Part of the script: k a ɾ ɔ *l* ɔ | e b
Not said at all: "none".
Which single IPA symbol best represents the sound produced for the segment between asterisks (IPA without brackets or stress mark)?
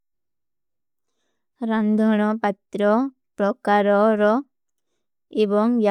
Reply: ɾ